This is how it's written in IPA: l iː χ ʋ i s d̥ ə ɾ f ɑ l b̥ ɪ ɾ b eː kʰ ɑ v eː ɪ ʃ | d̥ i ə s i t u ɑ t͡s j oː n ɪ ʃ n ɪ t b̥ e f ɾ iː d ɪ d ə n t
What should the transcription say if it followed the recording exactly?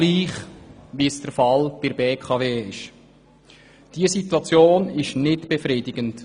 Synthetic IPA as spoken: l iː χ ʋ i s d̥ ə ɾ f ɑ l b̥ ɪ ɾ b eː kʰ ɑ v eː ɪ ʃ | d̥ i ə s i t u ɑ t͡s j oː n ɪ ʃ n ɪ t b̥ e f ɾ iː d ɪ ɡ ə n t